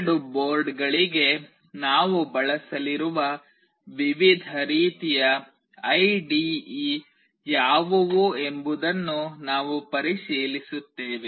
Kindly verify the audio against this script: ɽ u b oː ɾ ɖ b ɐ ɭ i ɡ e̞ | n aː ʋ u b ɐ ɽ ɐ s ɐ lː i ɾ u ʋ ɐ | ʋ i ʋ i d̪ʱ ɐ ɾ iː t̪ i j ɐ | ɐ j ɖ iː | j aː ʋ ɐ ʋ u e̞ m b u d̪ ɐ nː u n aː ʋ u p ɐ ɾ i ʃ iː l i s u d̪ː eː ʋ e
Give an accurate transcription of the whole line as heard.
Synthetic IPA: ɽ u b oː ɾ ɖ ɡ ɐ ɭ i ɡ e̞ | n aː ʋ u b ɐ ɭ ɐ s ɐ l i ɾ u ʋ ɐ | ʋ i ʋ i d̪ʱ ɐ ɾ iː t̪ i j ɐ | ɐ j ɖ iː | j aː ʋ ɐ ʋ u e̞ m b u d̪ ɐ nː u n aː ʋ u p ɐ ɾ i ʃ iː l i s u t̪ː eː ʋ e